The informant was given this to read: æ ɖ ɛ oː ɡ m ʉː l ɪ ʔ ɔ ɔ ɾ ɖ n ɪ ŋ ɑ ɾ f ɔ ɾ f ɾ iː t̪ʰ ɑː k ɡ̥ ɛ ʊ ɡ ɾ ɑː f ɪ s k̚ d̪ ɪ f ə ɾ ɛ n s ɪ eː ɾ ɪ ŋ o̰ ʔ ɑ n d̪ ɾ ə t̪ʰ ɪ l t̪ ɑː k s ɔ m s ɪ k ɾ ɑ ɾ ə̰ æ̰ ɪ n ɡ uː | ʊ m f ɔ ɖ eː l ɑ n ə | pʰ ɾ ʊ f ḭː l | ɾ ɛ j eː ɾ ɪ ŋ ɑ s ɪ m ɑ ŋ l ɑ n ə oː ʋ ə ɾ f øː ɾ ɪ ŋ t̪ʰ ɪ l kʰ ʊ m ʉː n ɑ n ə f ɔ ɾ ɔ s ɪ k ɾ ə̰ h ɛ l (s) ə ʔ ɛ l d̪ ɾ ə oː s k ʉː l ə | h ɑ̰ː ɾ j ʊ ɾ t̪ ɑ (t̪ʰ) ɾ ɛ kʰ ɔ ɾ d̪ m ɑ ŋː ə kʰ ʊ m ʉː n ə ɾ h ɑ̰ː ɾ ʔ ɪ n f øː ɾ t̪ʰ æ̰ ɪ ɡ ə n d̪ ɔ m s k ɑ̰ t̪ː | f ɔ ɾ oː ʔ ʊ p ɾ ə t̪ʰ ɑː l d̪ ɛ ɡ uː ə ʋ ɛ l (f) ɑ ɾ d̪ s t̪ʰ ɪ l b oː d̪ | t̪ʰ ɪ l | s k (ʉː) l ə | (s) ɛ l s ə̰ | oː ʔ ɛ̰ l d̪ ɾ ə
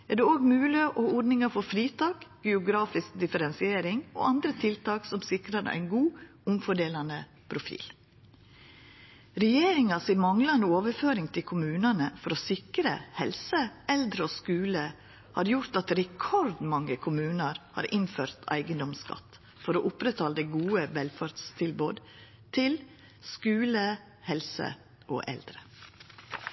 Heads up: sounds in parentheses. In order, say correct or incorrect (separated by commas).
correct, incorrect, correct, correct, incorrect